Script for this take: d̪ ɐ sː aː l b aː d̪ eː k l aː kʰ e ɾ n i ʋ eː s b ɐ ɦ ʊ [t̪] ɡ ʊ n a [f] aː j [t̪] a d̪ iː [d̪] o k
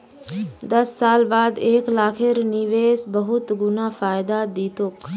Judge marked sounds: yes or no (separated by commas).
yes, yes, no, no